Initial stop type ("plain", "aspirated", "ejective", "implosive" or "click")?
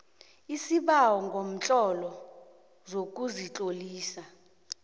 implosive